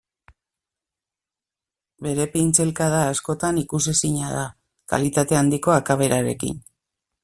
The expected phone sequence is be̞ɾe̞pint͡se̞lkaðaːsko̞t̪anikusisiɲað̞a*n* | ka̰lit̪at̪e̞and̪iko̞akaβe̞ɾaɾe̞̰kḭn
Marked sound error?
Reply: yes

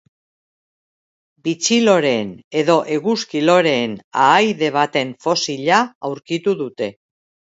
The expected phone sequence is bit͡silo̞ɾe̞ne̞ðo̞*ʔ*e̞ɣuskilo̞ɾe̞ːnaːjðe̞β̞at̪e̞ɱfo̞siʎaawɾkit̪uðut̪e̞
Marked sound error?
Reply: no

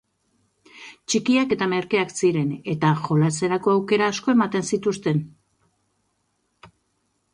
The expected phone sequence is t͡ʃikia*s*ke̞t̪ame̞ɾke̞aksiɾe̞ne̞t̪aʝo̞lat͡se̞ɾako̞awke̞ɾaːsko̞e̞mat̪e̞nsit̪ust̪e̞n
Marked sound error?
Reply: yes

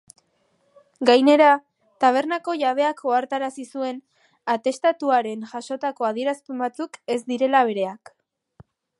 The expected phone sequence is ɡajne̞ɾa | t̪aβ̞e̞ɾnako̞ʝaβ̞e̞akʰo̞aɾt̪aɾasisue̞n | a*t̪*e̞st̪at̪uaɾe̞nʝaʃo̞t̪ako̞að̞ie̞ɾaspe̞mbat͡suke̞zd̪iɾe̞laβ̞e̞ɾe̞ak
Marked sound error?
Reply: no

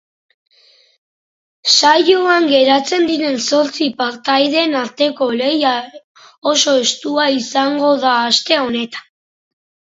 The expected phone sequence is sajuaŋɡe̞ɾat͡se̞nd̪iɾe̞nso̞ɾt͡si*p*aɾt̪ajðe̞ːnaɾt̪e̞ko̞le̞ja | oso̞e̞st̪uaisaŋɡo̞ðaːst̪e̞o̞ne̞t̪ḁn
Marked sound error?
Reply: no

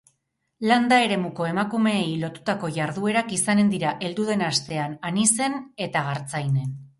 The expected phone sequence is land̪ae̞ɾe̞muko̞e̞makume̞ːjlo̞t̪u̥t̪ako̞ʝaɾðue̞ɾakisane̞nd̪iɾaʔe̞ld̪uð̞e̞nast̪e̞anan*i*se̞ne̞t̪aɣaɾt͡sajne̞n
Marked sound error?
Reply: no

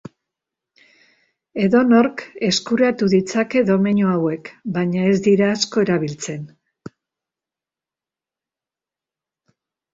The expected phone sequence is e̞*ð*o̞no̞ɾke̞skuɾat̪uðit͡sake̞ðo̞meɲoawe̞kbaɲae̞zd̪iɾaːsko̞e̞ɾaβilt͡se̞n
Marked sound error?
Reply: no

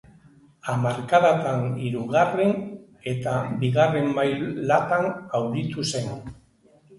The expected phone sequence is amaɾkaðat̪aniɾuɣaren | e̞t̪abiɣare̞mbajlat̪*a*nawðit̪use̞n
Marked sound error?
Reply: no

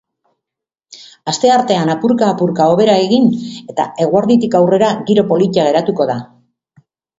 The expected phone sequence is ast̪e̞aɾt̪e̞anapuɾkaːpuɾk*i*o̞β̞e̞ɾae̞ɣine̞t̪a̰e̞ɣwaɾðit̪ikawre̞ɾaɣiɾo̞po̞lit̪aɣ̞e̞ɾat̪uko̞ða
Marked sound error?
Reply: yes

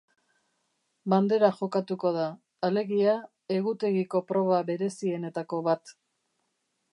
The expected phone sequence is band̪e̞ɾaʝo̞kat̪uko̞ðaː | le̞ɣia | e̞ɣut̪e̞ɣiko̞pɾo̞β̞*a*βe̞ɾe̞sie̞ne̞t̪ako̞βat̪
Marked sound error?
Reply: no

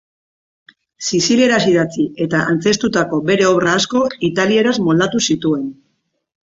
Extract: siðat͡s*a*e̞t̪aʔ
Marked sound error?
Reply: yes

